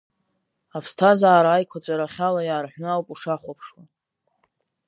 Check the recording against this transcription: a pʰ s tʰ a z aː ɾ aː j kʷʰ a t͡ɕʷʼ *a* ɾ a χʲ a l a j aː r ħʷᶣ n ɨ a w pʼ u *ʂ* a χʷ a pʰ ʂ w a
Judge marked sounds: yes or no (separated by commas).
yes, yes